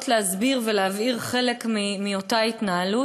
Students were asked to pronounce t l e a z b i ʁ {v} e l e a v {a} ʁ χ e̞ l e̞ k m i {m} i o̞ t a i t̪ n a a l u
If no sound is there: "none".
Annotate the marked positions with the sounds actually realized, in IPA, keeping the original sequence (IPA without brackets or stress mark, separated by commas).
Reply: v, i, m